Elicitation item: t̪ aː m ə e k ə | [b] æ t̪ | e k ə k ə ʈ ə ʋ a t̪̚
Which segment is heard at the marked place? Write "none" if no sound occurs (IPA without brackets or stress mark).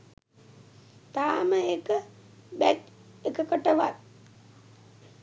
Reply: b